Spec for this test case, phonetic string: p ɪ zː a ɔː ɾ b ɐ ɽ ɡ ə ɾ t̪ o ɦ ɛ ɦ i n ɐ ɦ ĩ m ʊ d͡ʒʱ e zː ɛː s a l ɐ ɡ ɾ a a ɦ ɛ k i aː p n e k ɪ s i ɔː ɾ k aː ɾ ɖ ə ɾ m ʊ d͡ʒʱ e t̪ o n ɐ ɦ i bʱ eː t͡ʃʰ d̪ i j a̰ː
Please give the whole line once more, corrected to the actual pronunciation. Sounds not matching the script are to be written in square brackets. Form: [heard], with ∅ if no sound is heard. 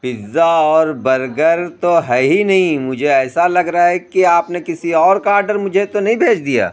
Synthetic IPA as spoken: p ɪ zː a ɔː ɾ b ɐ [ɾ] ɡ ə ɾ t̪ o ɦ ɛ ɦ i n ɐ ɦ ĩ m ʊ d͡ʒʱ e [∅] ɛː s a l ɐ ɡ ɾ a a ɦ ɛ k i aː p n e k ɪ s i ɔː ɾ k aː ɾ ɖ ə ɾ m ʊ d͡ʒʱ e t̪ o n ɐ ɦ [ĩ] bʱ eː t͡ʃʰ d̪ i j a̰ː